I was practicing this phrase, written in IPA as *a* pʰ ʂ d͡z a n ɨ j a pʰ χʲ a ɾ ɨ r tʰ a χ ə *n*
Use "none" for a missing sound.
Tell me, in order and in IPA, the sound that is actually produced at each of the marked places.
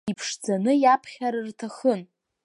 i, n

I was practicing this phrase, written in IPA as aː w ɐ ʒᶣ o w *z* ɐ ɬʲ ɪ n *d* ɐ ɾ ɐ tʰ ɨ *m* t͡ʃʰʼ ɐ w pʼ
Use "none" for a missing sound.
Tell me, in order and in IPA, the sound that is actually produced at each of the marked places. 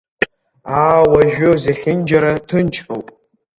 z, d͡ʒ, n

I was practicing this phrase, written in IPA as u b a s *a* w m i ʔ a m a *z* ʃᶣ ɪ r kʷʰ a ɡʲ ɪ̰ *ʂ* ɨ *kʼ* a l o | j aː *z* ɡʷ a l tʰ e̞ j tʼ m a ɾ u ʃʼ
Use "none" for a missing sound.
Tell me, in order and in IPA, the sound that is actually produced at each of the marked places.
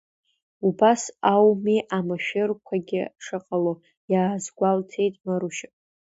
a, none, ʂ, qʼ, z

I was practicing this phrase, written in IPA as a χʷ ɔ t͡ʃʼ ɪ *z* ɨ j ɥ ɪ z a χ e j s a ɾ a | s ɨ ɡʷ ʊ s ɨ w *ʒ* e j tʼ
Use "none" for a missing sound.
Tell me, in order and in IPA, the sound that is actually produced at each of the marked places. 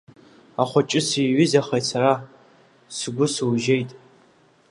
s, ʒ

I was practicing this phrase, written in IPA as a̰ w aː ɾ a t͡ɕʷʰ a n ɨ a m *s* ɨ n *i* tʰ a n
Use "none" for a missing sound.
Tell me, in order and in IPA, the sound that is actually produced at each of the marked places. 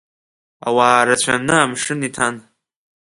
ʂ, i

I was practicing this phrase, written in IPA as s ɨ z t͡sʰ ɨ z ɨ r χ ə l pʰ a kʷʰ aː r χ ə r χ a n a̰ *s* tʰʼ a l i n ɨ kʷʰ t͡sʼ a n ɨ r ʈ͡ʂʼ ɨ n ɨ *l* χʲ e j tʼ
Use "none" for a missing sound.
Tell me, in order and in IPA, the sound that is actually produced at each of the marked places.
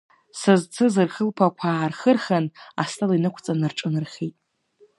s, r

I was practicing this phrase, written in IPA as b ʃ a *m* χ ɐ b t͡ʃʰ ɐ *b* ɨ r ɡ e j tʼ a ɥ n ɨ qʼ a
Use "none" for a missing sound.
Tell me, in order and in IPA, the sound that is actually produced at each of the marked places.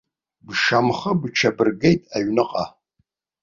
m, b

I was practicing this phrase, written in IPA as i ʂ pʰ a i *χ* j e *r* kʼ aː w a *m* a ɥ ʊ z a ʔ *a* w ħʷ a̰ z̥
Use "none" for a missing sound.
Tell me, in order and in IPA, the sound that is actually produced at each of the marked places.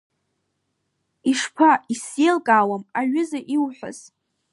s, l, m, i

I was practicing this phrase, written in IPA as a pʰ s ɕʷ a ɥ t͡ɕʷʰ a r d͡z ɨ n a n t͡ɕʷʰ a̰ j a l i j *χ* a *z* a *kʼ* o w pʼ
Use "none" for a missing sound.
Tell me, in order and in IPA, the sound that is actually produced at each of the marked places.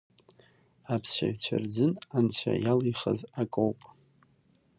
χ, z, kʼ

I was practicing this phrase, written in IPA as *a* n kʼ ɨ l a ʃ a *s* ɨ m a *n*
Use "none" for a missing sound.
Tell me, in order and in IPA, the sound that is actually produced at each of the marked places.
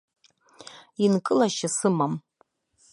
i, s, m

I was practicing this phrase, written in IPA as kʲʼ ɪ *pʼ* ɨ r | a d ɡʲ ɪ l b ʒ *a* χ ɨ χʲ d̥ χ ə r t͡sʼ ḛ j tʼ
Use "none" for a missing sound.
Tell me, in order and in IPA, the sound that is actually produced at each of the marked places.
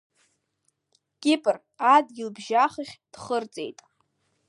pʼ, a

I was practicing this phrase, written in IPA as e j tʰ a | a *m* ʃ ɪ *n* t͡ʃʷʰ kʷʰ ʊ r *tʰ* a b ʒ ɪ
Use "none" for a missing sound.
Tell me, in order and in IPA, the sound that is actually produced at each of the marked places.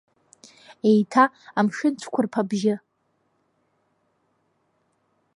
m, n, pʰ

